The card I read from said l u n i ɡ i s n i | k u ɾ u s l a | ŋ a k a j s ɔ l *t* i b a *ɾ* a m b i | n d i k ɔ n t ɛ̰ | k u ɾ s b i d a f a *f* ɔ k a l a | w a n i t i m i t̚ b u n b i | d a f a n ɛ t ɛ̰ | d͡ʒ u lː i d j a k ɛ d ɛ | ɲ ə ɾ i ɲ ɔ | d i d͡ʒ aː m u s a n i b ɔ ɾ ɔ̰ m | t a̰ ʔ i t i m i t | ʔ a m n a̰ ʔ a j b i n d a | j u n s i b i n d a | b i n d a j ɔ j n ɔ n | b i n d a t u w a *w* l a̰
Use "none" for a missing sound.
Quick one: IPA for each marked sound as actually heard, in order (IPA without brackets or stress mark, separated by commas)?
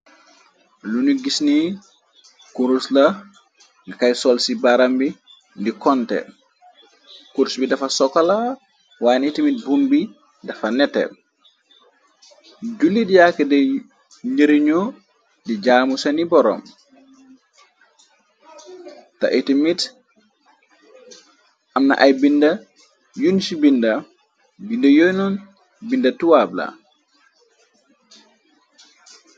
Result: s, ɾ, s, b